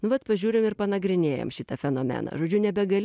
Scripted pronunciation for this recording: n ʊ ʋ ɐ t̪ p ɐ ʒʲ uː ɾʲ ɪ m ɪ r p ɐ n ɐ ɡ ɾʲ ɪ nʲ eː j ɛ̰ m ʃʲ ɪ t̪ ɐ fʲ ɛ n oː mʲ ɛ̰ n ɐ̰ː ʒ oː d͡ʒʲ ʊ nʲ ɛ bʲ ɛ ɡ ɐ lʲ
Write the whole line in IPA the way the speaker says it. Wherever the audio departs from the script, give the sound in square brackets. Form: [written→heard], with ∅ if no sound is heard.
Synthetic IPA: n ʊ ʋ ɐ t̪ p ɐ ʒʲ uː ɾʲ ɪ m ɪ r p ɐ n ɐ ɡ ɾʲ ɪ nʲ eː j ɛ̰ m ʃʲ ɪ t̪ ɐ fʲ ɛ n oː mʲ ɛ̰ n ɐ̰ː ʒ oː d͡ʒʲ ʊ nʲ ɛ bʲ ɛ ɡ ɐ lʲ